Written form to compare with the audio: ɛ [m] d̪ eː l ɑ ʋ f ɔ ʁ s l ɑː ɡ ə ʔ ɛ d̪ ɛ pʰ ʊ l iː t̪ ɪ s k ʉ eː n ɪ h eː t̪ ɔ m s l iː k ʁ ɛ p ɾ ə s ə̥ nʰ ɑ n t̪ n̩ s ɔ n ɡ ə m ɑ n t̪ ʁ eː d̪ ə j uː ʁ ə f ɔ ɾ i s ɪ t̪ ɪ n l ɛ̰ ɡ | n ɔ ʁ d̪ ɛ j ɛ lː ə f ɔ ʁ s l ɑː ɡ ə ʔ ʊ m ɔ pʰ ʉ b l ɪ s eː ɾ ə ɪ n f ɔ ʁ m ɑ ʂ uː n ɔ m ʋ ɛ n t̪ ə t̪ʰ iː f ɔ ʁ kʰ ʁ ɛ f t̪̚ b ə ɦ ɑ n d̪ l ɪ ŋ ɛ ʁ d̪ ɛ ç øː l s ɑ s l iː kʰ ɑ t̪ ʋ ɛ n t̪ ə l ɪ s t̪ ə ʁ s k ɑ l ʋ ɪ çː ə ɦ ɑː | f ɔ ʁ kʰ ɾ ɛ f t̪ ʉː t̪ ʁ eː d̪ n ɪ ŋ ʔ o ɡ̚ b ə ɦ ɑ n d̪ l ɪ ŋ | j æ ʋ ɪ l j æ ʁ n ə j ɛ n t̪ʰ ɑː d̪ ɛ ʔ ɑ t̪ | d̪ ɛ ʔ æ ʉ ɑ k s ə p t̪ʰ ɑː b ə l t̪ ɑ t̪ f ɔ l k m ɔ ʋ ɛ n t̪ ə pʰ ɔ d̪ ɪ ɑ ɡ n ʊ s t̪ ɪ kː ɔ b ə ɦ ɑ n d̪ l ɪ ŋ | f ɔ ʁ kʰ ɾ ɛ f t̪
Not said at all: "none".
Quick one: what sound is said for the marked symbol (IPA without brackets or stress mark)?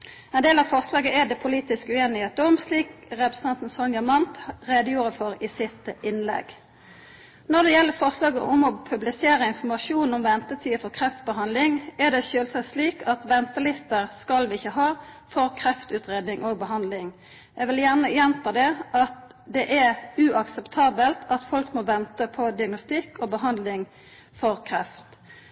n